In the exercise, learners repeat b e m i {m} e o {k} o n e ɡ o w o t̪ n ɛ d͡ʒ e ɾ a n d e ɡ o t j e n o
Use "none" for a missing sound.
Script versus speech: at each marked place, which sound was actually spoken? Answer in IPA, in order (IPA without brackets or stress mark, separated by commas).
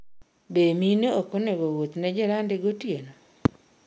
n, k